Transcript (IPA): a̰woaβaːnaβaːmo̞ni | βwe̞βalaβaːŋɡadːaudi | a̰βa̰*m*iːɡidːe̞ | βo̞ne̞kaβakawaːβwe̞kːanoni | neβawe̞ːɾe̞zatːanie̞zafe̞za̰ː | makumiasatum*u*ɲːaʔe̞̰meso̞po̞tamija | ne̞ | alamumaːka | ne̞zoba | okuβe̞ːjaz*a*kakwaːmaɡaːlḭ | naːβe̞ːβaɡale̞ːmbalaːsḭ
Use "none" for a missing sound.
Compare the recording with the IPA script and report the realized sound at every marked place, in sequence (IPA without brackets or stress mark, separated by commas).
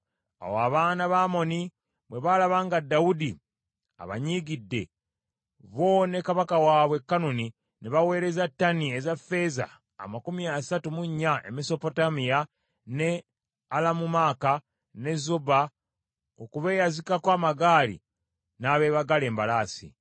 ɲ, u, i